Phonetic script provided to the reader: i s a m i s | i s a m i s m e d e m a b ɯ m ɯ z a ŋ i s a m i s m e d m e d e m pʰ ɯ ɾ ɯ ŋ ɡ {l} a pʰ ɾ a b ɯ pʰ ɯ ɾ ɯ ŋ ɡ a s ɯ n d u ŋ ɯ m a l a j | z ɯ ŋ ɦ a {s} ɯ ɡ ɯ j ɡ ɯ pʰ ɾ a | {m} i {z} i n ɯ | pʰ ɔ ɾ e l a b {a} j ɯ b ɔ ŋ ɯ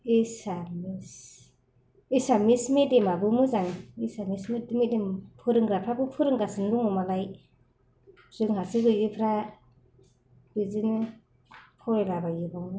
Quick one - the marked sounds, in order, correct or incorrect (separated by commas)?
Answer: incorrect, correct, incorrect, correct, correct